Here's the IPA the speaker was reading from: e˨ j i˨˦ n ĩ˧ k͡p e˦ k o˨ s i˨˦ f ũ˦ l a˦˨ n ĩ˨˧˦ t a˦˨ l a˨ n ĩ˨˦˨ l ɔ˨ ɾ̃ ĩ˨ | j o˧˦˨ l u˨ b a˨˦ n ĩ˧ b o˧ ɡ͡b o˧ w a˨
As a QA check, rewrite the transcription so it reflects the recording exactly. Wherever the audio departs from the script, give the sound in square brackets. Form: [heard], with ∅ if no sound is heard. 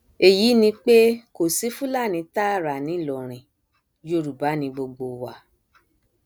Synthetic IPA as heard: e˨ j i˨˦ n ĩ˧ k͡p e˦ k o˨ s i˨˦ f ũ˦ l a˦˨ n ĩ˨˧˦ t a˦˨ [ɾ] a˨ n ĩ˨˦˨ l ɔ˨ ɾ̃ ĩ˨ | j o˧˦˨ [ɾ] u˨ b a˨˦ n ĩ˧ b o˧ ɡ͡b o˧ w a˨